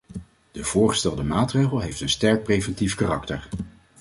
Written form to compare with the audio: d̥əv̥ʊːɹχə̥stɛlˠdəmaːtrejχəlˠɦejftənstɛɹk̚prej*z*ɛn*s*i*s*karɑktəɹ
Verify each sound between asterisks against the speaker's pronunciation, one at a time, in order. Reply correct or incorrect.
incorrect, incorrect, incorrect

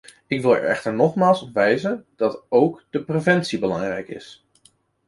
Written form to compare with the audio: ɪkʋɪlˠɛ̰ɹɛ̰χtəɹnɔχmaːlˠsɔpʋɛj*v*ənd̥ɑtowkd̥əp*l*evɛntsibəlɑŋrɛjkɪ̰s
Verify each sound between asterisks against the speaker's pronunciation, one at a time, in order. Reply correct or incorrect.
incorrect, incorrect

